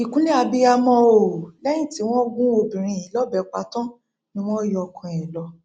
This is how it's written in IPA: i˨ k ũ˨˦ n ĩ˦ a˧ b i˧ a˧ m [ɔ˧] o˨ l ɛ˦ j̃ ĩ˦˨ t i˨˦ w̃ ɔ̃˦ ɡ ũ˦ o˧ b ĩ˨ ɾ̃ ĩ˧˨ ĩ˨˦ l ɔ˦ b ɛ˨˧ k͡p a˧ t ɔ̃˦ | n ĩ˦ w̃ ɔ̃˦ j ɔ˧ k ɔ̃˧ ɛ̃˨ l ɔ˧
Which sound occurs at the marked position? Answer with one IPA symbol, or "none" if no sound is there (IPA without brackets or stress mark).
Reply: ɔ̃˧